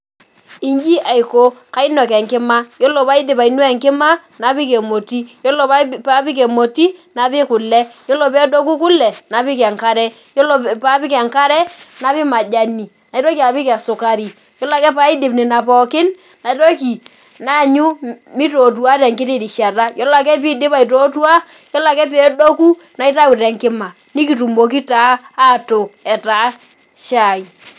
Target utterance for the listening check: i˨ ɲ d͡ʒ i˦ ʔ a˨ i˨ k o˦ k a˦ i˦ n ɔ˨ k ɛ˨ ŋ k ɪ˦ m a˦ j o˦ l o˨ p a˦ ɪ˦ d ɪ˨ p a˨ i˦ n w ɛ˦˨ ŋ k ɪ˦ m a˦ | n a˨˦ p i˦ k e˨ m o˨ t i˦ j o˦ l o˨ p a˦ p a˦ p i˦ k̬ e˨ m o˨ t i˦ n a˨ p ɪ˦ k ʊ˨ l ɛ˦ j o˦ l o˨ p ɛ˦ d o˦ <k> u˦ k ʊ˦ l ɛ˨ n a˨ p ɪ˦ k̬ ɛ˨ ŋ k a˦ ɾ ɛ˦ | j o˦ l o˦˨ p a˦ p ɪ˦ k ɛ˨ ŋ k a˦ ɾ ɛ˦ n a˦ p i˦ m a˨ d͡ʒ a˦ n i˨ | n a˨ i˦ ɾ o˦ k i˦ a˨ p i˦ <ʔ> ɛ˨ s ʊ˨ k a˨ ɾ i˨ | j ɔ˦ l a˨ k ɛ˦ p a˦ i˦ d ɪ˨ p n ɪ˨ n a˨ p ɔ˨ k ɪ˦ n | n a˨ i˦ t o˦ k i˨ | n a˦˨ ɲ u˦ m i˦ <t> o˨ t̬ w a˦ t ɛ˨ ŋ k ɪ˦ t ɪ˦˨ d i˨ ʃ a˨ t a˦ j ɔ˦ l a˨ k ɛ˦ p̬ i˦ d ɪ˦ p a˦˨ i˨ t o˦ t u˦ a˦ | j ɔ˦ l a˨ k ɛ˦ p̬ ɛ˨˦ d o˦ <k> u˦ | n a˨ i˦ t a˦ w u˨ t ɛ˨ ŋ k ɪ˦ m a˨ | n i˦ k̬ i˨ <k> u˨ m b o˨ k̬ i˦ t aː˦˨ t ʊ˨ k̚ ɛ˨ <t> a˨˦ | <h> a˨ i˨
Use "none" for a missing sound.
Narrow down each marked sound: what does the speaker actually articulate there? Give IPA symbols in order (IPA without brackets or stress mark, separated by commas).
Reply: k, k, t, k, t, t, ʃ